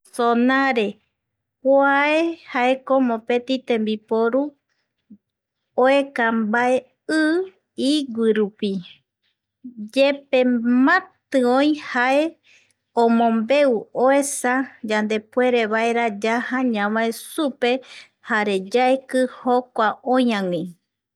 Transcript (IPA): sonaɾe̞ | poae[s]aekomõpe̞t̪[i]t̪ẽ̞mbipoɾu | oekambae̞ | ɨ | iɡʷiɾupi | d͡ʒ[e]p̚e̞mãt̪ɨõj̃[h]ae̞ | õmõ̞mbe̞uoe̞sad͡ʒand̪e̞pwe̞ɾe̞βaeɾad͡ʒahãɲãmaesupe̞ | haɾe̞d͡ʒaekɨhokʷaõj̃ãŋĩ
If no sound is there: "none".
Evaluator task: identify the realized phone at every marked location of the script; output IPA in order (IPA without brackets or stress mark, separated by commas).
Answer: h, i, e, h